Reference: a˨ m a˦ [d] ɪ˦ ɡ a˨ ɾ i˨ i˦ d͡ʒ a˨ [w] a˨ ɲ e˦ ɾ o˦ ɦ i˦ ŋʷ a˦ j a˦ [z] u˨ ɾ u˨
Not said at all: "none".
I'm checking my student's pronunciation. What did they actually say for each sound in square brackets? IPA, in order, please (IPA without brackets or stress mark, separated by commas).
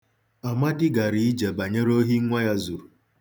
d, b, z